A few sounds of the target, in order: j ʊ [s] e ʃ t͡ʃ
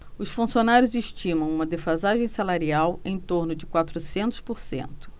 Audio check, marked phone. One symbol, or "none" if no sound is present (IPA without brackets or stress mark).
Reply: z